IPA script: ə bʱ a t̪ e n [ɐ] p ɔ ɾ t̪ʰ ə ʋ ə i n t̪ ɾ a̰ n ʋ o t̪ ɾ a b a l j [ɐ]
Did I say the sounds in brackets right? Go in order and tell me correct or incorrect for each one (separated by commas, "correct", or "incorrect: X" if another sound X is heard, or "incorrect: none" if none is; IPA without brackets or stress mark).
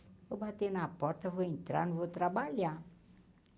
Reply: incorrect: a, incorrect: a